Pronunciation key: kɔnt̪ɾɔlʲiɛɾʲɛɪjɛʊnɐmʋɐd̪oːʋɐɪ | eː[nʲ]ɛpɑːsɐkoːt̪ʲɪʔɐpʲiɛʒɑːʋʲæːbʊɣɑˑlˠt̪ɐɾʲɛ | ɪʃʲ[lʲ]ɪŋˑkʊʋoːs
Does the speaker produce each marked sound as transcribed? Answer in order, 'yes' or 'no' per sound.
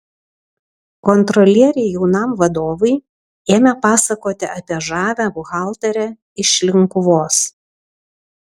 no, yes

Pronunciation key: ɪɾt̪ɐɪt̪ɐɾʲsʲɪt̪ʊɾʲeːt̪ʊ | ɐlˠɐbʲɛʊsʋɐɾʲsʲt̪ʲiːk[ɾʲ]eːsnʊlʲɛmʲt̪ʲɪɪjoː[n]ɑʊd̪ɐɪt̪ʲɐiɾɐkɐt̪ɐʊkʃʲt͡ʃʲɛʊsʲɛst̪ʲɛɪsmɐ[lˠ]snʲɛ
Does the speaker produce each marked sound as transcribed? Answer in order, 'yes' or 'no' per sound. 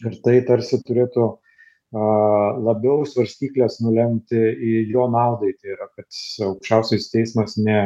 no, yes, no

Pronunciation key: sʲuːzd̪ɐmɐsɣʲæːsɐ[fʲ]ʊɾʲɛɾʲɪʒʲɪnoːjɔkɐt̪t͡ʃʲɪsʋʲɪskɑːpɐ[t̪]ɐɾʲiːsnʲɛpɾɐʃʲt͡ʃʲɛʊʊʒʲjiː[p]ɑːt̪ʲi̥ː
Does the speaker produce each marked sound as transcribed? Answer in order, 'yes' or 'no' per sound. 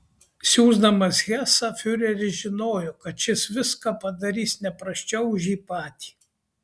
yes, no, yes

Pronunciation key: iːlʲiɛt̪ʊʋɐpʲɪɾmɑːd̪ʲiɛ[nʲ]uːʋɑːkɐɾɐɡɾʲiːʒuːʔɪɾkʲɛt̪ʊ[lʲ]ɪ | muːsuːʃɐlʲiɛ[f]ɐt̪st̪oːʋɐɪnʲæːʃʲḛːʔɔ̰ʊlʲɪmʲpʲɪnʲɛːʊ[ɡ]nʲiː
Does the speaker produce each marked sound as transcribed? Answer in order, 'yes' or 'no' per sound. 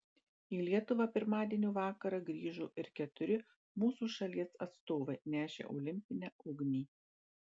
yes, no, no, yes

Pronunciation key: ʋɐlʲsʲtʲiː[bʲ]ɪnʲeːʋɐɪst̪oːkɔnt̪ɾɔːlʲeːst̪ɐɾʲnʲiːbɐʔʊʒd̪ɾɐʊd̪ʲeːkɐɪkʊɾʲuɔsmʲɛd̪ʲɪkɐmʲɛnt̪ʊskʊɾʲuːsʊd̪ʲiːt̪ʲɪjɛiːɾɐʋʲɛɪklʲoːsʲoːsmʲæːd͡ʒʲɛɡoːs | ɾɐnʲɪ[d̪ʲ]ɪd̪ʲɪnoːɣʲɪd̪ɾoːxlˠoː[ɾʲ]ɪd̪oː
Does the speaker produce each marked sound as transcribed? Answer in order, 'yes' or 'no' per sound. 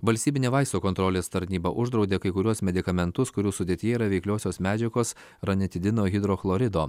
yes, no, yes

